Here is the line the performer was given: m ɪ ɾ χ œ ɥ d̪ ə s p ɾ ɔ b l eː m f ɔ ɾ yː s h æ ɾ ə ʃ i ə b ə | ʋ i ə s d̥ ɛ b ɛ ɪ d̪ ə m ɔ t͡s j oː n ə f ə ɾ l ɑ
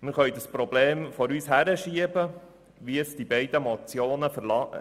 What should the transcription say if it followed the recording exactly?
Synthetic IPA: m ɪ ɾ χ œ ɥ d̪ ə s p ɾ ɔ b l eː m f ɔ ɾ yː s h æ ɾ ə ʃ i ə b ə | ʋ i ə s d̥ i b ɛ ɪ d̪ ə m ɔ t͡s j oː n ə f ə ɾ l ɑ